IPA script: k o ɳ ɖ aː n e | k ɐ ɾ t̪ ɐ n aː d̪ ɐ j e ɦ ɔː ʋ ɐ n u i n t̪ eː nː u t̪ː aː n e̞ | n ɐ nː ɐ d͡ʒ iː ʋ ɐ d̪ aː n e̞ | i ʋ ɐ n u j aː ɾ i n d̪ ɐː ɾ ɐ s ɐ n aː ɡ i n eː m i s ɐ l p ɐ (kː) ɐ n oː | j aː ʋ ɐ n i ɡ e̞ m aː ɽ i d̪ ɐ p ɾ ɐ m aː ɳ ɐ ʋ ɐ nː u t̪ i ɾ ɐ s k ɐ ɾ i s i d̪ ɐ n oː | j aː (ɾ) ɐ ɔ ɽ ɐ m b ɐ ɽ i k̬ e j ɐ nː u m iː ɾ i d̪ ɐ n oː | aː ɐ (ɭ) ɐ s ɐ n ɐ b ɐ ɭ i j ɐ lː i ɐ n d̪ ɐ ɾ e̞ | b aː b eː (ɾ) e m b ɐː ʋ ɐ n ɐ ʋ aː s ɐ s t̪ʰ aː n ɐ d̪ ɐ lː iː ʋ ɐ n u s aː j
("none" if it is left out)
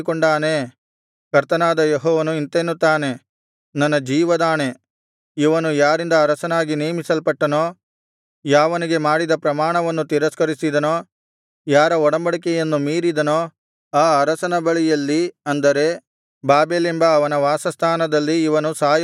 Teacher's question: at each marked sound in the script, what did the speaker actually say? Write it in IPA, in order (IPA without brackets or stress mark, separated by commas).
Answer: ʈː, ɾ, ɾ, l